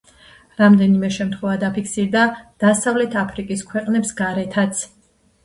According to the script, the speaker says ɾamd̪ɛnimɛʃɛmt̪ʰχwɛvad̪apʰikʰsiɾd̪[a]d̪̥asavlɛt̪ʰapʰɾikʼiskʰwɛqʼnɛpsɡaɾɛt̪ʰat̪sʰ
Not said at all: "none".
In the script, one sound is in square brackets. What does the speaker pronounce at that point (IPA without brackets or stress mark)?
a